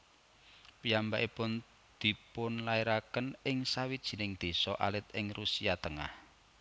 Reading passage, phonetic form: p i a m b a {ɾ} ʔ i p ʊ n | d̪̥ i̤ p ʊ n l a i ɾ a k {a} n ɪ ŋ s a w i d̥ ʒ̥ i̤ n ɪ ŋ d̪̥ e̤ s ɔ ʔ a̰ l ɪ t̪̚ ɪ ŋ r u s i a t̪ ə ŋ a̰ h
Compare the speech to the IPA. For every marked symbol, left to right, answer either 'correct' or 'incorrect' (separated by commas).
incorrect, incorrect